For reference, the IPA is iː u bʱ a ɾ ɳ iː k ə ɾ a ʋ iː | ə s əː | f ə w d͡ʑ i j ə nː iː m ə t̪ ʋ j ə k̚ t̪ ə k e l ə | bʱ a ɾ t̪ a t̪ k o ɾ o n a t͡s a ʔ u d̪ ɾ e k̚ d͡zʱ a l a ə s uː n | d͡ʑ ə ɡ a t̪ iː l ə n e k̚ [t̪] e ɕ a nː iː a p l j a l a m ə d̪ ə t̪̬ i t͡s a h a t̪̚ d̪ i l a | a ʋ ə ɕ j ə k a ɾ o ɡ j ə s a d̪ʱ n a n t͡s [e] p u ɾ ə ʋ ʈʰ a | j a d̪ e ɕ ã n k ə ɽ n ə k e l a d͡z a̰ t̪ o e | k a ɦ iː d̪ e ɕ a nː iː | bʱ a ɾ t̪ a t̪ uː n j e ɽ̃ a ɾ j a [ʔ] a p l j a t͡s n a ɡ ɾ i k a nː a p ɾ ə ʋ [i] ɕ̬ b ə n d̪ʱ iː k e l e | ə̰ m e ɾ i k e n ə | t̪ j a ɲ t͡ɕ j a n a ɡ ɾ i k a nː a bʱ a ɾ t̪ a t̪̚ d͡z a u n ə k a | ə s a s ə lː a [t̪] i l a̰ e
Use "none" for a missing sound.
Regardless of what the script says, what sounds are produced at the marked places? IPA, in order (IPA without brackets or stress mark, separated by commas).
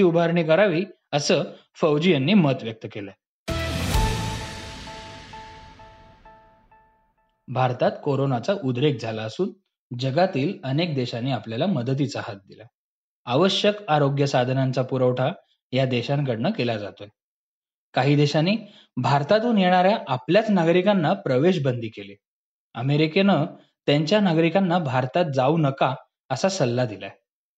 d̪, a, ʔ, e, d̪